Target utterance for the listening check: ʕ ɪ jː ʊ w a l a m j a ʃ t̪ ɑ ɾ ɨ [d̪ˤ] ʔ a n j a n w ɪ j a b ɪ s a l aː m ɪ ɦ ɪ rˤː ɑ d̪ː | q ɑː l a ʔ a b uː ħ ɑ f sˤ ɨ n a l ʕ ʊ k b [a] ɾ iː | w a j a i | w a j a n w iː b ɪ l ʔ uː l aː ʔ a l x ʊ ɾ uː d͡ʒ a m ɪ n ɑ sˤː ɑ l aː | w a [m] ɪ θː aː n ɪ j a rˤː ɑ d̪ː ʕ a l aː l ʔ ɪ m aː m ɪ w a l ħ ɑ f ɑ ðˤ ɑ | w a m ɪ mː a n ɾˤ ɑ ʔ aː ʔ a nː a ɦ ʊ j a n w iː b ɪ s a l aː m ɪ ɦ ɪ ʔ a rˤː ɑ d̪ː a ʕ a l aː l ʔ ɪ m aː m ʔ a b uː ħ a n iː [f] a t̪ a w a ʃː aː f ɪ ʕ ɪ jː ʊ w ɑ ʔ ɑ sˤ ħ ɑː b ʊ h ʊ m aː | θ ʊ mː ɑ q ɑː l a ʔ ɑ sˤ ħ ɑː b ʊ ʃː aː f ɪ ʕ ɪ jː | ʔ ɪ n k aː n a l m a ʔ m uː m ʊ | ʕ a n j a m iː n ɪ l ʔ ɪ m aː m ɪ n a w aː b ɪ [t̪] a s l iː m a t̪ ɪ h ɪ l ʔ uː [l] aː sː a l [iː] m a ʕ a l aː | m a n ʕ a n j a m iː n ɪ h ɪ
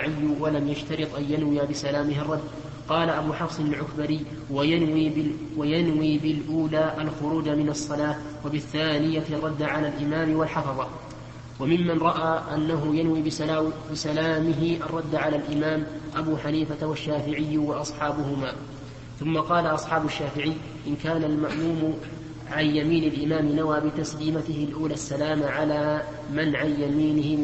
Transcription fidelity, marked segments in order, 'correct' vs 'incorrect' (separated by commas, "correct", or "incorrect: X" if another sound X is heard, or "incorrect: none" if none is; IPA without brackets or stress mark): incorrect: t̪ˤ, correct, incorrect: b, correct, correct, correct, incorrect: aː